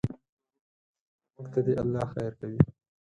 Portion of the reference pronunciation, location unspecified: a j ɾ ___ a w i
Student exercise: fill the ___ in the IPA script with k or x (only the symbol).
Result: k